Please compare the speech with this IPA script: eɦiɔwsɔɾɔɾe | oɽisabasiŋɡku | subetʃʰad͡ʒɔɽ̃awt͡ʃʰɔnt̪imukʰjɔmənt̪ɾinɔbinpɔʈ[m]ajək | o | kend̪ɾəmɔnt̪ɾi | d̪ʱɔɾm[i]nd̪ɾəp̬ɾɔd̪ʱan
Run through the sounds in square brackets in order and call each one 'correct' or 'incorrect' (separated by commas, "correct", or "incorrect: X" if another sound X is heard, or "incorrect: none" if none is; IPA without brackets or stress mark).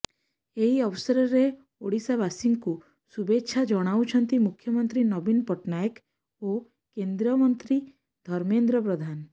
incorrect: n, incorrect: e